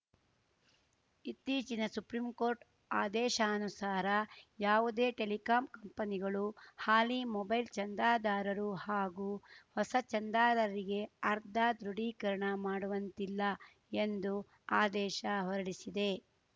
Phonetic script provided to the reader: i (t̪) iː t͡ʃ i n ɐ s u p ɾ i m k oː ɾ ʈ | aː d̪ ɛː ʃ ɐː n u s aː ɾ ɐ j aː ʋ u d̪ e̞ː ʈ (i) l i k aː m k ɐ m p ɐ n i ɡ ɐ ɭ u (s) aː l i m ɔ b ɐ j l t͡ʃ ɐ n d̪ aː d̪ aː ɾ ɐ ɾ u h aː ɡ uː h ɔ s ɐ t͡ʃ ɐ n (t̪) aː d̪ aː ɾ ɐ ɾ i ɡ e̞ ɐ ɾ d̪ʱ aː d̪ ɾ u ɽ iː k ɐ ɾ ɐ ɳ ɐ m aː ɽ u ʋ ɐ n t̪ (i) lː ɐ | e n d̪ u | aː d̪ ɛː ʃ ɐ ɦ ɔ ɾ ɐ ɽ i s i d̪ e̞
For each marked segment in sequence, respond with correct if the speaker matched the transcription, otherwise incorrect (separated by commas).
correct, incorrect, incorrect, incorrect, correct